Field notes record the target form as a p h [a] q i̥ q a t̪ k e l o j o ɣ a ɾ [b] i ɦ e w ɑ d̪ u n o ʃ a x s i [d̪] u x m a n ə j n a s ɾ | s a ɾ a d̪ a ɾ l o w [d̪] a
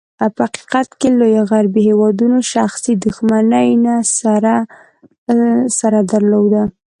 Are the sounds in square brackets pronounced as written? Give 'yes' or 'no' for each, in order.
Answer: yes, yes, yes, yes

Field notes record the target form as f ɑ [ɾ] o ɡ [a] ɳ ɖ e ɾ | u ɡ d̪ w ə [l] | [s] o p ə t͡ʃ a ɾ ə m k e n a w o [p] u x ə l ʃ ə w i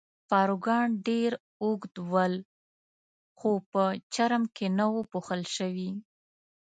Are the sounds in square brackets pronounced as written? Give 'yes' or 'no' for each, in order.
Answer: yes, no, yes, no, yes

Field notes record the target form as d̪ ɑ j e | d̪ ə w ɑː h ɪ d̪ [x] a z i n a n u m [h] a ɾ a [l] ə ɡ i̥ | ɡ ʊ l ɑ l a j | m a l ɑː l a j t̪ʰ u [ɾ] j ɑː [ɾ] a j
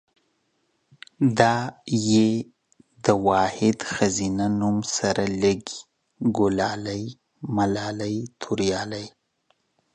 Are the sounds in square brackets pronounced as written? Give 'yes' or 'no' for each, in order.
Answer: yes, no, yes, yes, no

